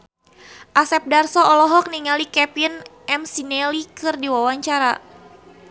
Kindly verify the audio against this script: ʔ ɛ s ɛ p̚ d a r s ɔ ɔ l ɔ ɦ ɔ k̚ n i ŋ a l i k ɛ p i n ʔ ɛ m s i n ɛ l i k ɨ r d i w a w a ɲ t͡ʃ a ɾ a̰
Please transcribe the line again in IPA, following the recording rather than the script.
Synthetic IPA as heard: ʔ a s ɛ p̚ d a r s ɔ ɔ l ɔ ɦ ɔ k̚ n i ŋ a l i k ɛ p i n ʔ ɛ m s i n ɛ l i k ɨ r d i w a w a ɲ t͡ʃ a ɾ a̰